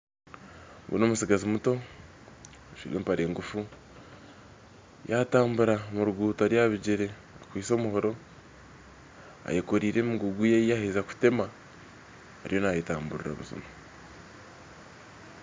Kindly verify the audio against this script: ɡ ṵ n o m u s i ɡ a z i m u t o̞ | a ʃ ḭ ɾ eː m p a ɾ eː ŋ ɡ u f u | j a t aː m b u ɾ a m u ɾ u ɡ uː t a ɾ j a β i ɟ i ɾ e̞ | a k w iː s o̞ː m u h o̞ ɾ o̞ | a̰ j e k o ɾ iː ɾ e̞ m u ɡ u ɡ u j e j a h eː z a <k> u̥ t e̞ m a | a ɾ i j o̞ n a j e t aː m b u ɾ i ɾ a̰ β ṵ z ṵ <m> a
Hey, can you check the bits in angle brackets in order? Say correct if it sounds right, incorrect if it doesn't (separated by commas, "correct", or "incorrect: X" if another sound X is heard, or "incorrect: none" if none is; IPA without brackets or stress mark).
correct, correct